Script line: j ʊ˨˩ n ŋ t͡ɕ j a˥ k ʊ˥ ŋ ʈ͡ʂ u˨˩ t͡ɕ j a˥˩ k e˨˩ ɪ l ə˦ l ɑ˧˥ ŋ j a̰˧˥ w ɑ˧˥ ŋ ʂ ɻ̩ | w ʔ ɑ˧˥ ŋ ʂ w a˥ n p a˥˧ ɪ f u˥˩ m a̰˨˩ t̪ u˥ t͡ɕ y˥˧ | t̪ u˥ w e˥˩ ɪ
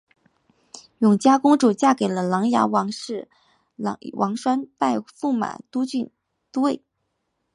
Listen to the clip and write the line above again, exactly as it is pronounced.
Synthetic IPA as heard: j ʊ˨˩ ŋ t͡ɕ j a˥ k ʊ˥ ŋ ʈ͡ʂ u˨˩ t͡ɕ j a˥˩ k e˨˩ ɪ l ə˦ l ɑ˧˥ ŋ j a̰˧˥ w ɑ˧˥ ŋ ʂ ɻ̩ | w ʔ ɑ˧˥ ŋ ʂ w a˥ n p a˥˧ ɪ f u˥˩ m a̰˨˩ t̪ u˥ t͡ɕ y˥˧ | t̪ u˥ w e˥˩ ɪ